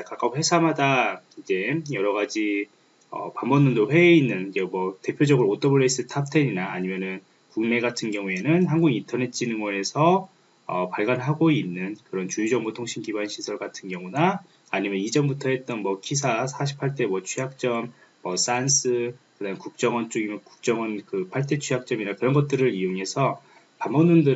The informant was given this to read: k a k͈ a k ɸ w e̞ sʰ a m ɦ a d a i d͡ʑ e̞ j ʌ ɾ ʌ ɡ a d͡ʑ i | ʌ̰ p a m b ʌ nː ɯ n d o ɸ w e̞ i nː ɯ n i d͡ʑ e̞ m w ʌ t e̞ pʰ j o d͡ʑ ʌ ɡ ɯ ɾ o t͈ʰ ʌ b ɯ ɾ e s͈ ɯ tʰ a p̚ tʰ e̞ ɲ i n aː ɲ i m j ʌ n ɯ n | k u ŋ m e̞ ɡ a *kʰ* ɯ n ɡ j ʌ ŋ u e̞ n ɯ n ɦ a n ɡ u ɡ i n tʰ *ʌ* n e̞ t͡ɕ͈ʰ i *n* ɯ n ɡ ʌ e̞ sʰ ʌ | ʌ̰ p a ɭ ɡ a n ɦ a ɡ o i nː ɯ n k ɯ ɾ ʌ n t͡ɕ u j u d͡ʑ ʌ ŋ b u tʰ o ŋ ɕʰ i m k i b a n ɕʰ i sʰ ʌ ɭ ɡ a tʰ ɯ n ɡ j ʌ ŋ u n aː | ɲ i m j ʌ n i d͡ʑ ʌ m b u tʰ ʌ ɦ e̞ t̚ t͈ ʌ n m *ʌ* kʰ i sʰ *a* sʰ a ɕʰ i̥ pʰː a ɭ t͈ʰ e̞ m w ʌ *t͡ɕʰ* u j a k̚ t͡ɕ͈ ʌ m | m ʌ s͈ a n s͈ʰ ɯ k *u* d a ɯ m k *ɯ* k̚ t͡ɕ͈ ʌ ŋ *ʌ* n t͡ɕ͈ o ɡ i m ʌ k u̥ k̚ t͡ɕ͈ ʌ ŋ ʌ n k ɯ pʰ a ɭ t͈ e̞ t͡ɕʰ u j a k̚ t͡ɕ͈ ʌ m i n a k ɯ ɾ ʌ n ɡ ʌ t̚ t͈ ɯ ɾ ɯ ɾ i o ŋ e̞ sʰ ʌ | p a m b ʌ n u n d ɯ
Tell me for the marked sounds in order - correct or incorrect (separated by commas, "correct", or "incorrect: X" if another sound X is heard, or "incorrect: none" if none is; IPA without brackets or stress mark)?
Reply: incorrect: tʰ, correct, correct, correct, correct, correct, incorrect: ɯ, incorrect: u, correct